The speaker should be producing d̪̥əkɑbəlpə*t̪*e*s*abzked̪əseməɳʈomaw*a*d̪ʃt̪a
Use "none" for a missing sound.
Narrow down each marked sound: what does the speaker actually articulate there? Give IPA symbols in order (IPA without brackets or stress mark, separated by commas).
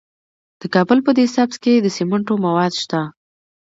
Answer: d̪, s, ɑ